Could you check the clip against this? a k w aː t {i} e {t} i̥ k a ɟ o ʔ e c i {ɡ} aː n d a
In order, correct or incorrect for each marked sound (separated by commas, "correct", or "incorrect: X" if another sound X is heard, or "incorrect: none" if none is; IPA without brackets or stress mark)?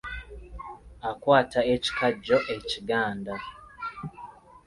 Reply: incorrect: a, incorrect: c, correct